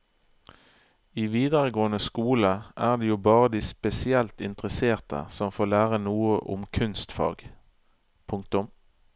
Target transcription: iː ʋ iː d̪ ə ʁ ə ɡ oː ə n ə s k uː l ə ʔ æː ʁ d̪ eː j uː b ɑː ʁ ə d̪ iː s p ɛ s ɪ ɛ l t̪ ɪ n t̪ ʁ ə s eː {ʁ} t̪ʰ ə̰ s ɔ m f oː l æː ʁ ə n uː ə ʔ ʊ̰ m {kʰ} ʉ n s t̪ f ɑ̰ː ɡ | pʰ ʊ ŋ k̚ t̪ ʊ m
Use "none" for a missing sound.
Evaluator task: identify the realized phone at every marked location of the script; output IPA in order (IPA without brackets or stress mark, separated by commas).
ʁ, kʰ